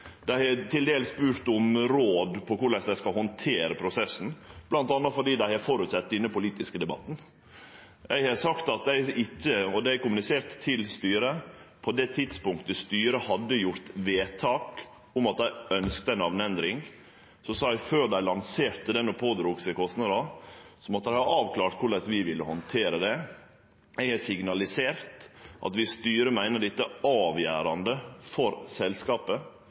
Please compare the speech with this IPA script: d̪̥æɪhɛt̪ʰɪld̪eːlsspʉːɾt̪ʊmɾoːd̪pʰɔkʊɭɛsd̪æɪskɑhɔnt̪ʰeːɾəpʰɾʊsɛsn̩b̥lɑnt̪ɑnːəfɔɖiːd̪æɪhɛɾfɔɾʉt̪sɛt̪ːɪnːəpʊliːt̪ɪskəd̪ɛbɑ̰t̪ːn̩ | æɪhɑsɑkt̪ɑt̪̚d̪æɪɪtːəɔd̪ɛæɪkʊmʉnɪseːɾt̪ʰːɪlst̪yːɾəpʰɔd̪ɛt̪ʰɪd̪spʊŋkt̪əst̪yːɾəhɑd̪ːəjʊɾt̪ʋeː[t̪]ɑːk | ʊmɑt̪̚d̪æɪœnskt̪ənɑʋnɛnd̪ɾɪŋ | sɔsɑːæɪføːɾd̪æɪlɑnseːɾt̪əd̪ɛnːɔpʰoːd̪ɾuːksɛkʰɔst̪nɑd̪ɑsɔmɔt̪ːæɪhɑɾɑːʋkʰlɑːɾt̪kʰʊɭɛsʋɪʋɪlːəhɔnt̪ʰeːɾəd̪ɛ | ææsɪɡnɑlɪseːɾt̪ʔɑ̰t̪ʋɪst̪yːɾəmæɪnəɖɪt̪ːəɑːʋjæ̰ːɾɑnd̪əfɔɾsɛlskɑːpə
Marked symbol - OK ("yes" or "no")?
no